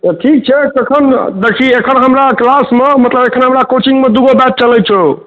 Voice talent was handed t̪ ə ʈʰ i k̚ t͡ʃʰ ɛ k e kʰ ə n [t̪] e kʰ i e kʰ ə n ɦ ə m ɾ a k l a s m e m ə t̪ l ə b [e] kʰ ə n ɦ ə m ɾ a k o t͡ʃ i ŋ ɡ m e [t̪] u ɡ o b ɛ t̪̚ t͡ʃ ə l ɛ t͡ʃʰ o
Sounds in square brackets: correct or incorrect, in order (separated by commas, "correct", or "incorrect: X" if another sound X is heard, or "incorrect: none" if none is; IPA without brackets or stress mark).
incorrect: d̪, correct, incorrect: d̪